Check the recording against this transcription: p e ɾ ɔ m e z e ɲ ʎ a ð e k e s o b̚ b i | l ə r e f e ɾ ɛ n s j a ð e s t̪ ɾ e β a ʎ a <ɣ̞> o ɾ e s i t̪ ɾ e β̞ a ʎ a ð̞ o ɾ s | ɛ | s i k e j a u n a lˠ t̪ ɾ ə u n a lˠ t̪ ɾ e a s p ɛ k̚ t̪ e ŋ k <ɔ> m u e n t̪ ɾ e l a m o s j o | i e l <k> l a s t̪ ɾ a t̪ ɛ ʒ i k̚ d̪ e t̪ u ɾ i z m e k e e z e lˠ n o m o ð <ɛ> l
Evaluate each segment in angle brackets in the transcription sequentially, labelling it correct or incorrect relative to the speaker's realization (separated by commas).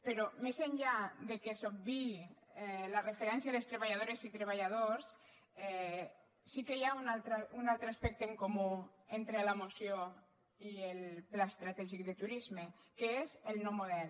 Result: incorrect, incorrect, incorrect, correct